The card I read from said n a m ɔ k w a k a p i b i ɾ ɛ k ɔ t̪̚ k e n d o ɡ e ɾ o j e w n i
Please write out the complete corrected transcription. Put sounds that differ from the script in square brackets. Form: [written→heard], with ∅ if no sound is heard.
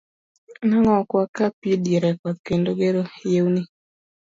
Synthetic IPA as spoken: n a [m→ŋ] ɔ k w a k a p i [b→d] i ɾ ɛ k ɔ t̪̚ k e n d o ɡ e ɾ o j e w n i